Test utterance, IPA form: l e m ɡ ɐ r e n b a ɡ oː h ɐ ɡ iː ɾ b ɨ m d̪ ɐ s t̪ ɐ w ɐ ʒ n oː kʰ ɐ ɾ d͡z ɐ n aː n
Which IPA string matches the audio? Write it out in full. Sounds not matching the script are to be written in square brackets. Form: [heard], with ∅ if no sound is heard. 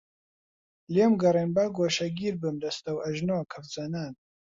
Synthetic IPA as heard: l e m ɡ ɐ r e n b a ɡ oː [ʃ] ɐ ɡ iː ɾ b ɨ m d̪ ɐ s t̪ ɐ w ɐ ʒ n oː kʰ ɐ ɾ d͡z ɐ n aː n